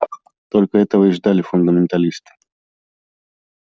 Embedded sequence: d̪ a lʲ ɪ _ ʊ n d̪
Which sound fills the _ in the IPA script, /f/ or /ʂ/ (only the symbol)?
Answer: f